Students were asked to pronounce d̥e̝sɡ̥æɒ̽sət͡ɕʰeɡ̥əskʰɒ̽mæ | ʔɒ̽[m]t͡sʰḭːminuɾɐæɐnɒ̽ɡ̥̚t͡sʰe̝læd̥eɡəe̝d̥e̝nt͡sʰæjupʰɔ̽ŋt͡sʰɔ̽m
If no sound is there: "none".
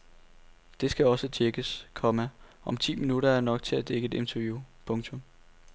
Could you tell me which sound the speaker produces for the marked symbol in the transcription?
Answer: m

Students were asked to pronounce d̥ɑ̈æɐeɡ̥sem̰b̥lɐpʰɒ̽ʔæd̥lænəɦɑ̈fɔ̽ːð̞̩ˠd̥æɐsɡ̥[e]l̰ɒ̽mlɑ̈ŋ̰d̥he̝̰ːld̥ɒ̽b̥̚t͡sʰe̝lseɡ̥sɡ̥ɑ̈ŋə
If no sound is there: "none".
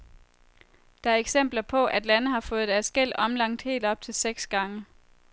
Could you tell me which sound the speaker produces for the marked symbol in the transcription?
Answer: e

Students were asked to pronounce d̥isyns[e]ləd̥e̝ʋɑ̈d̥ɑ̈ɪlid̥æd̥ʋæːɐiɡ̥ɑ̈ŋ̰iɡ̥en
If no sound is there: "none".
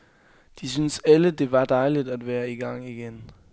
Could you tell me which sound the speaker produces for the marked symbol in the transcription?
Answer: æ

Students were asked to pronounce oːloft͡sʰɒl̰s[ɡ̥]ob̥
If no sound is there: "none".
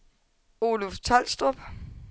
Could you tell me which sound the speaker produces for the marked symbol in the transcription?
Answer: d̥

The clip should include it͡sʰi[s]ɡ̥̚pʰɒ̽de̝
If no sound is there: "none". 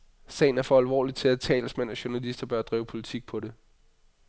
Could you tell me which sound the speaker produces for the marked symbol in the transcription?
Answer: none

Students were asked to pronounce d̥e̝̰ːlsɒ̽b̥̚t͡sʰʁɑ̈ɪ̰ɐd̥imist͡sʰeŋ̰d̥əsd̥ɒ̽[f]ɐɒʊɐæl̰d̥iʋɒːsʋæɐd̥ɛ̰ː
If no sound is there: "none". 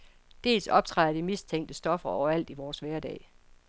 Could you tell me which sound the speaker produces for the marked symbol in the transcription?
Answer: f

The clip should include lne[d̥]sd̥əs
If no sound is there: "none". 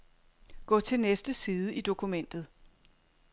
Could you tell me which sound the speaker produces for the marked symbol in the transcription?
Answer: none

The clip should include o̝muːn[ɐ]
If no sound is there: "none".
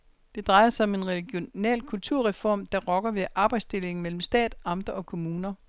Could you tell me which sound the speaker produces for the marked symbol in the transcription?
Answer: ɐ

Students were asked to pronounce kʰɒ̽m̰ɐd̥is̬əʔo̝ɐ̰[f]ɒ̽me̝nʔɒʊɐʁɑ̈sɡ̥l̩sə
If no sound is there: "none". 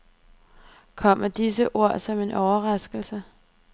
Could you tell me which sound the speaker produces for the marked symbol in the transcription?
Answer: s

